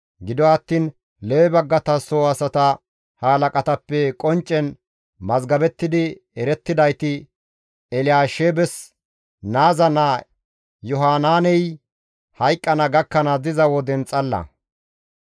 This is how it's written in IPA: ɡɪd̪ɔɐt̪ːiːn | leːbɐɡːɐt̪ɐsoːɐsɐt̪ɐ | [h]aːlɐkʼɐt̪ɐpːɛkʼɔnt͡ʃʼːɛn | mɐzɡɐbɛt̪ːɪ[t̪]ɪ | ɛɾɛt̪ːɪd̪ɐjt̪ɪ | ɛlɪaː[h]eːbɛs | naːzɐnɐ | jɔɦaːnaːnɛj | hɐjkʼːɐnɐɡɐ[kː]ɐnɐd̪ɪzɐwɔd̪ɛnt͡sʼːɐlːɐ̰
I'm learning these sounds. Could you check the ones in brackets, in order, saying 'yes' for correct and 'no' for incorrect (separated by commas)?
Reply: yes, no, no, yes